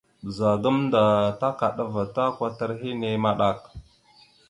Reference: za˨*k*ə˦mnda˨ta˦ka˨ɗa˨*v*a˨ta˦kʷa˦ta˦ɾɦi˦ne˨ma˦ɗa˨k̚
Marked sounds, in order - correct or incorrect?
incorrect: ɡ, correct

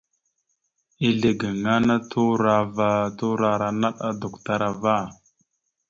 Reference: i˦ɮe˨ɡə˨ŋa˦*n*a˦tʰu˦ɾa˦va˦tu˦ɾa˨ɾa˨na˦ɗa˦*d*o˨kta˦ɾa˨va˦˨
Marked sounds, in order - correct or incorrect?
correct, correct

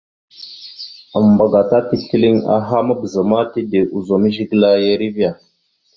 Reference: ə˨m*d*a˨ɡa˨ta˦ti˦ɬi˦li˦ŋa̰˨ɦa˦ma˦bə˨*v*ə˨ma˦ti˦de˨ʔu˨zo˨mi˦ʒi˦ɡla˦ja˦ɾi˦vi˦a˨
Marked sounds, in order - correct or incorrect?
incorrect: b, incorrect: z

